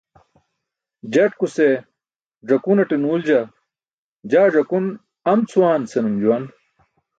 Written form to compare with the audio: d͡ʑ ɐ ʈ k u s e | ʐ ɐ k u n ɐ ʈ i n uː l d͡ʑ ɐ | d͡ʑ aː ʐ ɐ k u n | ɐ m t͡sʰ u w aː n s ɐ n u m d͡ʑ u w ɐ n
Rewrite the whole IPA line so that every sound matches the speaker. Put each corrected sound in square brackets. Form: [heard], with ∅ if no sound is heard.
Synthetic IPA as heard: d͡ʑ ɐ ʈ k u s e | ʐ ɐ k u n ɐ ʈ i n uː l d͡ʑ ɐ | d͡ʑ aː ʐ ɐ k u n | ɐ m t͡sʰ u w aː n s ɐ n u m d͡ʑ u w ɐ n